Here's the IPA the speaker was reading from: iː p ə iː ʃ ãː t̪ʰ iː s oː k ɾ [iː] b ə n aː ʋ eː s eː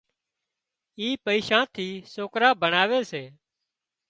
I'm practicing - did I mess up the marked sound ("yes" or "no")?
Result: yes